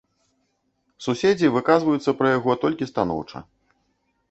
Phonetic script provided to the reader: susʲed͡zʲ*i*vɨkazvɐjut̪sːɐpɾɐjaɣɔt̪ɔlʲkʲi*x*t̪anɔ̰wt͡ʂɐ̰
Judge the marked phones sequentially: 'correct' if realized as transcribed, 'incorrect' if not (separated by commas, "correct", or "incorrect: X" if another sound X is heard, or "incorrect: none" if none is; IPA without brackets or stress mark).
correct, incorrect: s